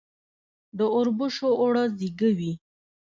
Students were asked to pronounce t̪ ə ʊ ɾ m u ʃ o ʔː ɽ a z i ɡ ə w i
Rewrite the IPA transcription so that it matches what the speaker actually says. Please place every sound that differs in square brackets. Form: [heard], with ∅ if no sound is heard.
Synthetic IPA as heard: [d̪] ə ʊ ɾ [b] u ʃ o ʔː ɽ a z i ɡ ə w i